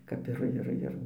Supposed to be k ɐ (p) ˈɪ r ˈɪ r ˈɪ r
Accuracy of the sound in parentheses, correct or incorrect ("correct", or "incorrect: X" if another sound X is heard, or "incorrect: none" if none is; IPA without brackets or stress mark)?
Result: correct